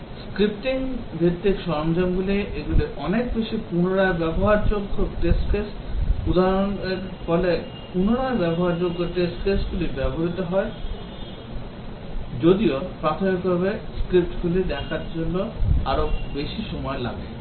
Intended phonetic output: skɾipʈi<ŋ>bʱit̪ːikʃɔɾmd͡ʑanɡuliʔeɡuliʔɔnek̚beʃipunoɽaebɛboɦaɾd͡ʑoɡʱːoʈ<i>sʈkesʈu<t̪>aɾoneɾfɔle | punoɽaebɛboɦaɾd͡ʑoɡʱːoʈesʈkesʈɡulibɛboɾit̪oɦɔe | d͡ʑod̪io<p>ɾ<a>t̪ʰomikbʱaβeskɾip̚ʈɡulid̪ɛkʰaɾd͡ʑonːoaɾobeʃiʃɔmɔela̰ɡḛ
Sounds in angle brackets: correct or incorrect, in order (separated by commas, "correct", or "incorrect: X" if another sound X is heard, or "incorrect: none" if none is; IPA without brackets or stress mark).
correct, incorrect: e, incorrect: d̪, correct, correct